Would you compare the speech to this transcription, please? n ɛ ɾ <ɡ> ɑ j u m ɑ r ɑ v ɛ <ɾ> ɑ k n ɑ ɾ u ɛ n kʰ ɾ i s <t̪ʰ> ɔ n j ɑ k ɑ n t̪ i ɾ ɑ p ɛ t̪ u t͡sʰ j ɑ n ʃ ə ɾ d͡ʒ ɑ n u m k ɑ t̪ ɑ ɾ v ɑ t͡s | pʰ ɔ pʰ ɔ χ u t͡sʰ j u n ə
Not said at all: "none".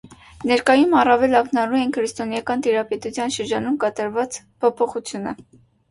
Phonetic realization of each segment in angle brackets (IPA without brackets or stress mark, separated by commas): k, l, t̪